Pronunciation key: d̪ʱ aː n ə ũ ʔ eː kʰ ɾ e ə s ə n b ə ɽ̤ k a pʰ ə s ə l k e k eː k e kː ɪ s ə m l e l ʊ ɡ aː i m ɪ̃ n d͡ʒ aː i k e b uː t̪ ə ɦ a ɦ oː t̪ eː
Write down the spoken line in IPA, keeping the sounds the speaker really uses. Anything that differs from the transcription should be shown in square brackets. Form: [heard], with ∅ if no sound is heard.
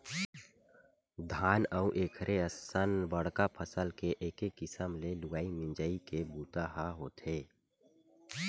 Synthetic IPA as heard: d̪ʱ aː n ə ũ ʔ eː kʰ ɾ e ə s ə n b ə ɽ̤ k a pʰ ə s ə l k e [ʔ] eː k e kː ɪ s ə m l e l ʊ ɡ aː i m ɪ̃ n d͡ʒ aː i k e b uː t̪ [a] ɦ a ɦ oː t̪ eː